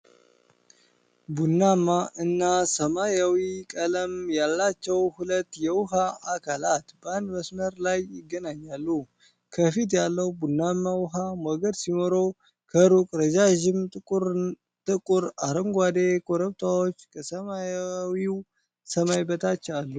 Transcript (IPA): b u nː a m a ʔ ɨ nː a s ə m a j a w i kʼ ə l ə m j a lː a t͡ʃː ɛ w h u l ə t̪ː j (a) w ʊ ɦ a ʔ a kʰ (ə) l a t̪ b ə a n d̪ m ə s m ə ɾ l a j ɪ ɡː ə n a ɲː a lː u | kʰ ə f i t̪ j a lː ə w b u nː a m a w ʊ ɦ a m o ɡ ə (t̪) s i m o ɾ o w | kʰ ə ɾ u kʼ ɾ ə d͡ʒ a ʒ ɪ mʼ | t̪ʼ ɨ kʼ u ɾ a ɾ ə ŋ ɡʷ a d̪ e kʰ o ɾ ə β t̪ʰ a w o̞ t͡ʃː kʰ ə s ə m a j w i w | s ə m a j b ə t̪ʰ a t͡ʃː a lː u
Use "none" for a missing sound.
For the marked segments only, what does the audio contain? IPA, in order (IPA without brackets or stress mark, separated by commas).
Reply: ɛ, a, d̪